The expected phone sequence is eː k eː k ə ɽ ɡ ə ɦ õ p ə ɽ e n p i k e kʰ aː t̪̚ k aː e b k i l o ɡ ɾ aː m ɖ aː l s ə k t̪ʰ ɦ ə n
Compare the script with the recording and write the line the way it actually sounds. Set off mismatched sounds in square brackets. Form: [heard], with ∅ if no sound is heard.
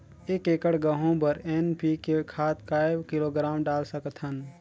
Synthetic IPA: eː k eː k ə ɽ ɡ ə ɦ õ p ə [ɾ] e n p i k e kʰ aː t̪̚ k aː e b k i l o ɡ ɾ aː m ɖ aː l s ə k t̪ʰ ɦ ə n